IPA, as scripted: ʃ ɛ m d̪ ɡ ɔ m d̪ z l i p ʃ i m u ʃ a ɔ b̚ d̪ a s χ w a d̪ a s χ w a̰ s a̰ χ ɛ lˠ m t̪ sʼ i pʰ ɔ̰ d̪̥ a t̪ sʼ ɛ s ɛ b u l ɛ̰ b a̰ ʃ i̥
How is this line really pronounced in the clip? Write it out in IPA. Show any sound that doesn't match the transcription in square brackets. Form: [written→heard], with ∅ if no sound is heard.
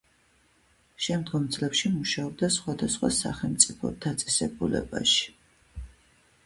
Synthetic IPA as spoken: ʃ ɛ m d̪ ɡ ɔ m d̪ z l [i→ɛ] p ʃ i m u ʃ a ɔ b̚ d̪ a s χ w a d̪ a s χ w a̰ s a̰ χ ɛ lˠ m t̪ sʼ i pʰ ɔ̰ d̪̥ a t̪ sʼ ɛ s ɛ b u l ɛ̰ b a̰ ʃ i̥